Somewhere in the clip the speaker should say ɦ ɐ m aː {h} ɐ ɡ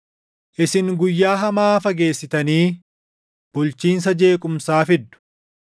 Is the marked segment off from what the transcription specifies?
yes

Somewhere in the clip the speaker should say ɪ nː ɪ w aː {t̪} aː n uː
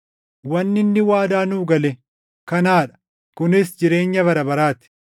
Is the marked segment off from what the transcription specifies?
yes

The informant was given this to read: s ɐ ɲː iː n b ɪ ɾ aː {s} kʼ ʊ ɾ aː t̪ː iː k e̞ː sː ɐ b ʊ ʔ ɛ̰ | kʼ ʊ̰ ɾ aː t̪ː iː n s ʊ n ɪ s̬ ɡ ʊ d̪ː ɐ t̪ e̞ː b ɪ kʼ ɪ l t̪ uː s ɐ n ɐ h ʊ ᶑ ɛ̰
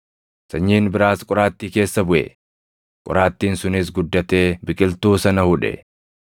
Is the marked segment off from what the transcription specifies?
no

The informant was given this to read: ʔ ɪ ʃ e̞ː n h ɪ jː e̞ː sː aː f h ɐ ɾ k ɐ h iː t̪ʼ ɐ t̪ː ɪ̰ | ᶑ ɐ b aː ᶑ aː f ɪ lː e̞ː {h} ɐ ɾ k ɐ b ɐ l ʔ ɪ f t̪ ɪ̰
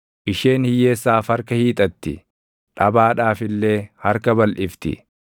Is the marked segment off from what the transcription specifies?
no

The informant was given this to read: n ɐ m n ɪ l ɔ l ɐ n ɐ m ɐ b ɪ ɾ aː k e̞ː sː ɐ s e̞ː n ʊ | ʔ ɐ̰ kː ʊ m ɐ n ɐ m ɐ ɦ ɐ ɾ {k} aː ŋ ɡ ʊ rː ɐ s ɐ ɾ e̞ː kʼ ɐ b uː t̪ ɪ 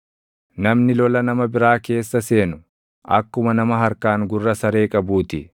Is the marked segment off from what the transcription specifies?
no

